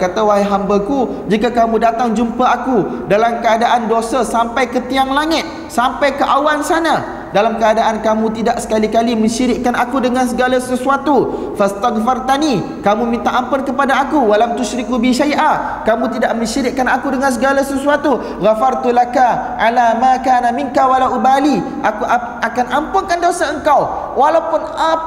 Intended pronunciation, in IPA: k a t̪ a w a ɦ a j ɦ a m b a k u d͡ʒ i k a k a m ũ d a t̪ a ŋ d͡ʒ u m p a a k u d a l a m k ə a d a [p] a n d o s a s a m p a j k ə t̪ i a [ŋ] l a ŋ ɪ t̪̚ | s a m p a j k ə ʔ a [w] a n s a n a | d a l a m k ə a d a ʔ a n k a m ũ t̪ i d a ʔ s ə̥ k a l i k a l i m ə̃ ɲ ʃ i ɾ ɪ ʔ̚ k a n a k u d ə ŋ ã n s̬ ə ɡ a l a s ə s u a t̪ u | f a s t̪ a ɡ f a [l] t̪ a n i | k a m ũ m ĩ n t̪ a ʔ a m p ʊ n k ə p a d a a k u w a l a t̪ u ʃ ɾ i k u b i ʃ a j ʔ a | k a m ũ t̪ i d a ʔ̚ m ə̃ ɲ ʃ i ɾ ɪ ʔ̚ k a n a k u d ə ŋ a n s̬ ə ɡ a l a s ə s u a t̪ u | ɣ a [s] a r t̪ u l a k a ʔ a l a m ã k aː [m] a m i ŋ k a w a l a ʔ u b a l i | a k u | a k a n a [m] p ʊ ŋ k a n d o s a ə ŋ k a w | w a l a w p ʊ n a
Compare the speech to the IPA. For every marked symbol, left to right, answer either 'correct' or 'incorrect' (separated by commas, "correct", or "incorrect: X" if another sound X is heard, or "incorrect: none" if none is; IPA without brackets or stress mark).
incorrect: ʔ, correct, correct, incorrect: r, incorrect: f, incorrect: n, correct